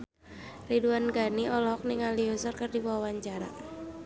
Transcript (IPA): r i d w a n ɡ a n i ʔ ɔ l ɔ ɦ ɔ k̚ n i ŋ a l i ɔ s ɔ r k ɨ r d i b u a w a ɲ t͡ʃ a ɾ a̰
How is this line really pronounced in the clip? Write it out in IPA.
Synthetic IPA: r i d u a n ɡ a n i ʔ ɔ l ɔ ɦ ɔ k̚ n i ŋ a l i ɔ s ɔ r k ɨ r d i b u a w a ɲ t͡ʃ a ɾ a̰